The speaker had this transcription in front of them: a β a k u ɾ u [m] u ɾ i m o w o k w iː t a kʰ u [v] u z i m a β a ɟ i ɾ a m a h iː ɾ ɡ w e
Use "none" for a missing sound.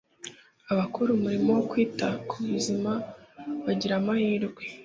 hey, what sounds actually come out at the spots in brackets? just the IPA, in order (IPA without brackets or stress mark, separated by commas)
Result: m, β